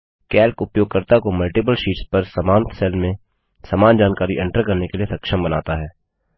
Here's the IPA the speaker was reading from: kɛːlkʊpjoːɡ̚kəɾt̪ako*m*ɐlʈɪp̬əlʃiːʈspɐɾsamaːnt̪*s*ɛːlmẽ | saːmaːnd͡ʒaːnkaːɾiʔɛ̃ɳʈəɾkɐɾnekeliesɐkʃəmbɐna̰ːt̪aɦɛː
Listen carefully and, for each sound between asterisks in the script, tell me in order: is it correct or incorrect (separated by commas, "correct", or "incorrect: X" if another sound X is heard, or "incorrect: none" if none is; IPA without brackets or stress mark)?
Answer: correct, correct